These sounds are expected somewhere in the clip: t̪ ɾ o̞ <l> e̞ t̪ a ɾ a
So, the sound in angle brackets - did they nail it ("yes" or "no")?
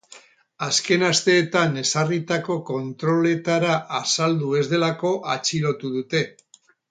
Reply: yes